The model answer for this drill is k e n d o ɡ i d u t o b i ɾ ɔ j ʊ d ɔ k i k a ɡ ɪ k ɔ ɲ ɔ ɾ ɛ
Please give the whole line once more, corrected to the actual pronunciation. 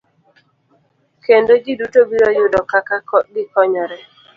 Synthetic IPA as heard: k e n d o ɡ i d u t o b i ɾ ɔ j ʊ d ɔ k a k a ɡ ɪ k ɔ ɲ ɔ ɾ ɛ